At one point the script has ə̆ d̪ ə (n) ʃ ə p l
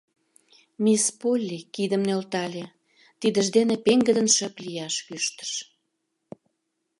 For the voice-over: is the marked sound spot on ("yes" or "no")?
yes